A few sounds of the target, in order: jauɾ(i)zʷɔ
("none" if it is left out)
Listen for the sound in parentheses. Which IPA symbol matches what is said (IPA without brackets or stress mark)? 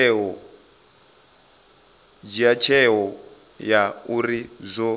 i